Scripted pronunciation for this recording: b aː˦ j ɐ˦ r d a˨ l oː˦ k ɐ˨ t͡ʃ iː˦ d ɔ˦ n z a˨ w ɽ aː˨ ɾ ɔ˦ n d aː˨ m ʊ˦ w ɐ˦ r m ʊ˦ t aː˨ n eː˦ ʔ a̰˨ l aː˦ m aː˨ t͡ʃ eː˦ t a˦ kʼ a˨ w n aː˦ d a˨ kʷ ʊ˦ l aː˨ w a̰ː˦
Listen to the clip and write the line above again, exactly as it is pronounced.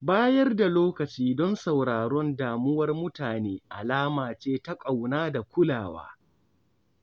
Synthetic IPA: b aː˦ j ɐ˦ r d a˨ l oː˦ k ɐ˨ t͡ʃ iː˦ d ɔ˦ n s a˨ w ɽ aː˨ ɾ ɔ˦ n d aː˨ m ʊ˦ w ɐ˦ r m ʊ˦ t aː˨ n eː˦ ʔ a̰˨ l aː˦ m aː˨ t͡ʃ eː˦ t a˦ kʼ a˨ w n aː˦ d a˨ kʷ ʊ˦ l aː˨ w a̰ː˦